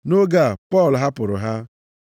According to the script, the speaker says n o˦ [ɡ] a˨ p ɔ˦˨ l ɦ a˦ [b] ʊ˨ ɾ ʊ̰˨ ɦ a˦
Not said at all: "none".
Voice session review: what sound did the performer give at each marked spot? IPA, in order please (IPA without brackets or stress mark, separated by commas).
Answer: ɡ, p